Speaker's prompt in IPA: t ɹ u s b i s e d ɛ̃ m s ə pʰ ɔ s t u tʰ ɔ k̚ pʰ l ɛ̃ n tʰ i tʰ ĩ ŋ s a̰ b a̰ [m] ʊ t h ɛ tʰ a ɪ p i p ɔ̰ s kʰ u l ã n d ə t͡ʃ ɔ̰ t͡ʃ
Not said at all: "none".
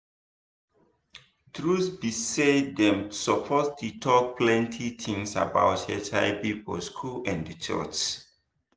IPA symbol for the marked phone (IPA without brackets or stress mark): none